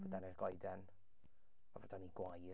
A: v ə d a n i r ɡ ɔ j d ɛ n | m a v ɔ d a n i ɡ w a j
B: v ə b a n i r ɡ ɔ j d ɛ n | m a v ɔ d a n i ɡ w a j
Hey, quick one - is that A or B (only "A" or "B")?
A